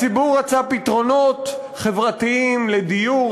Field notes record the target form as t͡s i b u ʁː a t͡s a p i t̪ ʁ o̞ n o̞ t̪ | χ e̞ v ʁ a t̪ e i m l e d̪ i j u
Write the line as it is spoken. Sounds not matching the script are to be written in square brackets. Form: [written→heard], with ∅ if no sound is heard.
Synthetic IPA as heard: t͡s i b u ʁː a t͡s a p i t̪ ʁ o̞ n o̞ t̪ | χ e̞ v ʁ a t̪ [e→i] i m l e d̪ i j u

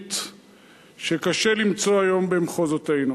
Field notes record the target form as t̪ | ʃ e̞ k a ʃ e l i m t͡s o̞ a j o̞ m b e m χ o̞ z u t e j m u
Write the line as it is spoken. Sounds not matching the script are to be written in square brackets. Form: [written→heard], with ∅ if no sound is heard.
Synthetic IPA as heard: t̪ | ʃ e̞ k a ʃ e l i m t͡s o̞ a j o̞ m b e m χ o̞ z [u→o] t e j [m→n] u

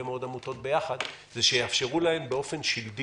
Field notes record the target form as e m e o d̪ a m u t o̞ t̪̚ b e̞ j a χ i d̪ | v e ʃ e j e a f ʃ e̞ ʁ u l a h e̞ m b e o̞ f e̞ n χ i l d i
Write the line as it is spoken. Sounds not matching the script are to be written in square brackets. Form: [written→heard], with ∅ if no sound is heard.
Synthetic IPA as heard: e m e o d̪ a m u t o̞ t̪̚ b e̞ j a χ [i→a] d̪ | [v→z] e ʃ e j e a f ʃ e̞ ʁ u l a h e̞ m b e o̞ f e̞ n [χ→ʃ] i l d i

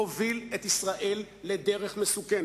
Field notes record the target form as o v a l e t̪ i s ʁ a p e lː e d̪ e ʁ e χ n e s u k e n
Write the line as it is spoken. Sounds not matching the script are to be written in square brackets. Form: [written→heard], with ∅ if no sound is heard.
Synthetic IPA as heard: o v [a→i] l e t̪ i s ʁ a [p→ʔ] e lː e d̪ e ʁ e χ [n→m] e s u k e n

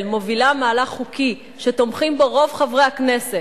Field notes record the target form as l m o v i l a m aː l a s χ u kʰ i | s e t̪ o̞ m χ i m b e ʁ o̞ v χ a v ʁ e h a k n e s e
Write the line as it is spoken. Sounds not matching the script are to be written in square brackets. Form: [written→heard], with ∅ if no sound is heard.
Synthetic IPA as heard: l m o v i l a m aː l a [s→χ] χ u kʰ i | [s→ʃ] e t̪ o̞ m χ i m b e ʁ o̞ v χ a v ʁ e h a k n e s e

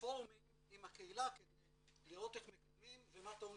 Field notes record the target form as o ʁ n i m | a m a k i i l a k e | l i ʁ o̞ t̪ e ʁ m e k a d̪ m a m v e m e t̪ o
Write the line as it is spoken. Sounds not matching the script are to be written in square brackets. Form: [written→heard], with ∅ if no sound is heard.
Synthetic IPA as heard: o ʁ [n→m] i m | [a→i] m a k [i→e] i l a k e | l i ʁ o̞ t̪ e [ʁ→χ] m e k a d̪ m [a→i] m v e m [e→a] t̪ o

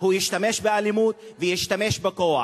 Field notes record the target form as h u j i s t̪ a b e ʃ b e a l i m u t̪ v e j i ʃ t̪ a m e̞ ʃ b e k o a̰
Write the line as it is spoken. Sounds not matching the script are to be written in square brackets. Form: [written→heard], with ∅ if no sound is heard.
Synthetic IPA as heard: h u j i [s→ʃ] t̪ a [b→m] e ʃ b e a l i m u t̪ v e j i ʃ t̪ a m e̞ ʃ b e k o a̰

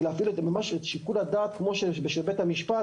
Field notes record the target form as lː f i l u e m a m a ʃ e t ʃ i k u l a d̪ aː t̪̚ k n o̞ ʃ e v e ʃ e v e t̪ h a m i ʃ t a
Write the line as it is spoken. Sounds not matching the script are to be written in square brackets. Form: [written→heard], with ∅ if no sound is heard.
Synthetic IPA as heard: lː f i l u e m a m a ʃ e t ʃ i k u l a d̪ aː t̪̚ k [n→m] o̞ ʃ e [v→b] e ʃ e [v→b] e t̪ h a m i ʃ [t→p] a

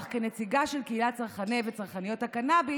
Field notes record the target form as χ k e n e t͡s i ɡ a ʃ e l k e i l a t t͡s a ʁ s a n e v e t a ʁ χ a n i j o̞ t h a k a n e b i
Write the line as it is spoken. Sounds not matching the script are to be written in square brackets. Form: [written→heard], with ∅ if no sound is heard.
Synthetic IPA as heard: χ k e n e t͡s i ɡ a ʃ e l k e i l a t t͡s a ʁ [s→χ] a n e v e [t→t͡s] a ʁ χ a n i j o̞ t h a k a n [e→a] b i

